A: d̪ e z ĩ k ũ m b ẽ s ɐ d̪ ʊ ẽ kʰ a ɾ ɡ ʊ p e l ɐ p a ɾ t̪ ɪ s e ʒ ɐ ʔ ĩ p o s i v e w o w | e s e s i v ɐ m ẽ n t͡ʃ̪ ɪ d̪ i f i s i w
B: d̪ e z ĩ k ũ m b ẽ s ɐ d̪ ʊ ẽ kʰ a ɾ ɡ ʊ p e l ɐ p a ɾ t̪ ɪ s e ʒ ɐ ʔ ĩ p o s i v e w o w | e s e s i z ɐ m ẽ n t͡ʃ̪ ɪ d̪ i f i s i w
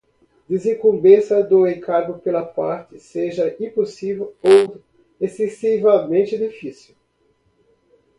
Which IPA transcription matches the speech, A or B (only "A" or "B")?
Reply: A